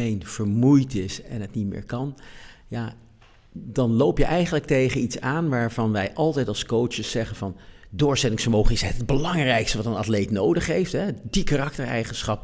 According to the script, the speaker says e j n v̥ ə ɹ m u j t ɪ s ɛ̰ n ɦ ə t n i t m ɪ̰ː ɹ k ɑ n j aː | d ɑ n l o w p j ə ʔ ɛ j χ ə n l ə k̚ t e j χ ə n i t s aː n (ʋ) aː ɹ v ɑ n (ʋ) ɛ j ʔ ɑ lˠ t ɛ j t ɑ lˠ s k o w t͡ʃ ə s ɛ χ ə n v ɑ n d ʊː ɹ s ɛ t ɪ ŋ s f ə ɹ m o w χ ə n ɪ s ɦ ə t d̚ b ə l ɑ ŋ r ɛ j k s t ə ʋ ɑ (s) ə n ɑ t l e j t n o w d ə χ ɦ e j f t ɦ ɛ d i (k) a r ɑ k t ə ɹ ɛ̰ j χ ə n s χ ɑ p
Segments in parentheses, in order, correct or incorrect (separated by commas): correct, correct, incorrect, correct